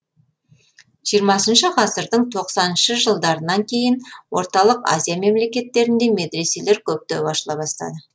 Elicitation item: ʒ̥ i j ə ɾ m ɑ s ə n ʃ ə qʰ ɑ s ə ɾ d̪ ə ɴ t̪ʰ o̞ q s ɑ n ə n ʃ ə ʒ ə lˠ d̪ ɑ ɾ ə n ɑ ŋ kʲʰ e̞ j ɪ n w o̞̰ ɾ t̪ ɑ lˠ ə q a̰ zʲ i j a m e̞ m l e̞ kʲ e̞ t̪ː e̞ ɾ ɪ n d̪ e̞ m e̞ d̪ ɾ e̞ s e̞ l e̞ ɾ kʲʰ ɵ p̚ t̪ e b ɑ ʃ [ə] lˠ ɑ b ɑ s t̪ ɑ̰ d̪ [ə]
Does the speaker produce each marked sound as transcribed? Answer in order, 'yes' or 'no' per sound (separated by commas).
yes, yes